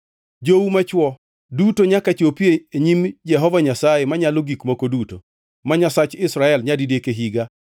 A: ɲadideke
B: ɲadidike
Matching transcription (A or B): A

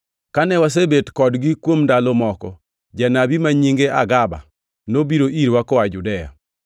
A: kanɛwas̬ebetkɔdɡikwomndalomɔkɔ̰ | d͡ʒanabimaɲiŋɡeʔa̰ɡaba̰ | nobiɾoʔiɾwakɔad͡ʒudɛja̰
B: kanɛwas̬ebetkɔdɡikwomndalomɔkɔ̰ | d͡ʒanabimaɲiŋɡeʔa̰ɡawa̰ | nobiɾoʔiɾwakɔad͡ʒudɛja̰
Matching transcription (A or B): A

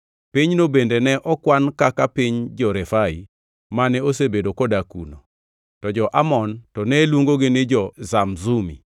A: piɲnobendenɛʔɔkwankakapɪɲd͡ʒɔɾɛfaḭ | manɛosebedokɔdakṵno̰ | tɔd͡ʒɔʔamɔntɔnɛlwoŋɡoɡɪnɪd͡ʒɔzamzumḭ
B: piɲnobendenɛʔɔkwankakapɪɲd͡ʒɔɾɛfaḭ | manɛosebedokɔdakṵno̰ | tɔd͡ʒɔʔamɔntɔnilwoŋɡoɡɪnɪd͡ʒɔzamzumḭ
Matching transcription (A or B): A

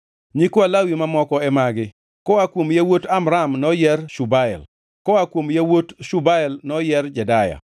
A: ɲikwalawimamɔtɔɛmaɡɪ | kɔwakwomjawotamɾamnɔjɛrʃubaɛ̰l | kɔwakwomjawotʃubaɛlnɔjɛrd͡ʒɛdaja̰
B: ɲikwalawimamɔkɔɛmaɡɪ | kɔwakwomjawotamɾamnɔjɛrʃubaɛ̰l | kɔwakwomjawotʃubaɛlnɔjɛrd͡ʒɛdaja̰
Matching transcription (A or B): B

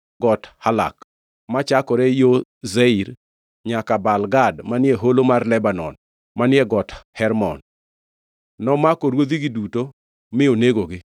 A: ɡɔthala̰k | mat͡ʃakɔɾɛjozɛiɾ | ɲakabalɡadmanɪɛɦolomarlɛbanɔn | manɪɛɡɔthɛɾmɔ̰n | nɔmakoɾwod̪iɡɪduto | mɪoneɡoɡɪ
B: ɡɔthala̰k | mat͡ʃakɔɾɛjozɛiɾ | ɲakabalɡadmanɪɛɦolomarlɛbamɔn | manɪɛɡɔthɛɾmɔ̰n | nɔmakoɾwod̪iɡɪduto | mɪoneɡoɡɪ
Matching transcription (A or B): A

